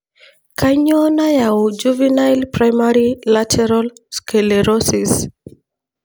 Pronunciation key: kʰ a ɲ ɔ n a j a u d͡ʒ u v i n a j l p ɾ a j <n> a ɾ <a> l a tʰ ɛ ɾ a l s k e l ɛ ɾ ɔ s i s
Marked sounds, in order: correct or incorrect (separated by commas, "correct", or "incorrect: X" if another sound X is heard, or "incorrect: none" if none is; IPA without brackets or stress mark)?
incorrect: m, incorrect: i